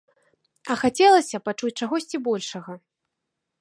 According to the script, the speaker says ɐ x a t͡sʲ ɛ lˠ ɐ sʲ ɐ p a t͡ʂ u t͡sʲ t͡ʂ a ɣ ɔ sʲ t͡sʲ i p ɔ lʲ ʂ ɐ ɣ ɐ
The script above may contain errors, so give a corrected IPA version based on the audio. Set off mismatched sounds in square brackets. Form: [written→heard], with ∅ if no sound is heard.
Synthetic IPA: ɐ x a t͡sʲ ɛ lˠ ɐ sʲ ɐ p a t͡ʂ u t͡sʲ t͡ʂ a ɣ ɔ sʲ t͡sʲ i [p→b] ɔ lʲ ʂ ɐ ɣ ɐ